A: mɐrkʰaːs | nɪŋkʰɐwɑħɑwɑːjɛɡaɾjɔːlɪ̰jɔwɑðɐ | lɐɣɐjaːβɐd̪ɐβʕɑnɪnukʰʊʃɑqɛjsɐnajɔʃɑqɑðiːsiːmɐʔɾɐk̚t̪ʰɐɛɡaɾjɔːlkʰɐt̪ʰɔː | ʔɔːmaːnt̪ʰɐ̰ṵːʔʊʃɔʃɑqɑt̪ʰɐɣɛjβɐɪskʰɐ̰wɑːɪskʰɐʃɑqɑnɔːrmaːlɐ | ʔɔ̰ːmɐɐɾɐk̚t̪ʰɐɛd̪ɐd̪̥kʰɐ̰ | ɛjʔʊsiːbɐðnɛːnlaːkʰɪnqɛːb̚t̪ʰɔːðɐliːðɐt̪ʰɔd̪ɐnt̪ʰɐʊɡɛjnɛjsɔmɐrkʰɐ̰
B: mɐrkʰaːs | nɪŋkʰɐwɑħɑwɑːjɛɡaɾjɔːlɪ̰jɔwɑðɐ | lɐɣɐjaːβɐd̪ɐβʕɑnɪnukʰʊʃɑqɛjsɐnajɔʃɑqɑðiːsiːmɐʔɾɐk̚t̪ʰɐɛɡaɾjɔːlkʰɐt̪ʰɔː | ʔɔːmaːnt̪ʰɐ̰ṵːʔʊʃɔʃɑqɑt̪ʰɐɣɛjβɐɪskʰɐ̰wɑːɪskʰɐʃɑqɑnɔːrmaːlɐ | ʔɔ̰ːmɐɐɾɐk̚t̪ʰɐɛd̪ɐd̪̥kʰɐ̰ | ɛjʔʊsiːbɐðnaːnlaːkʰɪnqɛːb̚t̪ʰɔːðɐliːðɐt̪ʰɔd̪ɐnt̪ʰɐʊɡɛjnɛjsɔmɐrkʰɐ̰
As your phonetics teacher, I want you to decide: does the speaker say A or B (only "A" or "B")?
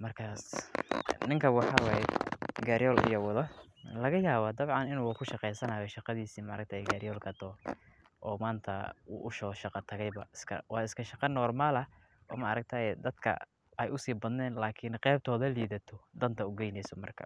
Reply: A